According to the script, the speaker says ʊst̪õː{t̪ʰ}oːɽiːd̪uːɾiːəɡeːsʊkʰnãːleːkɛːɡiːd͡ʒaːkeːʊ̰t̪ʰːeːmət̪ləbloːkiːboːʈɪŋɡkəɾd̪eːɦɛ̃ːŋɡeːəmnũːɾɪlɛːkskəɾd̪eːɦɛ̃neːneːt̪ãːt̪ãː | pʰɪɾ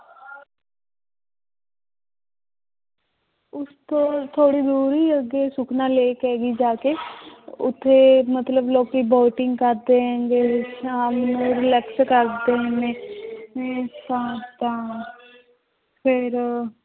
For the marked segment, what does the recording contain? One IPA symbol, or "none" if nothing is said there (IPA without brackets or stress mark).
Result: t̪ʰ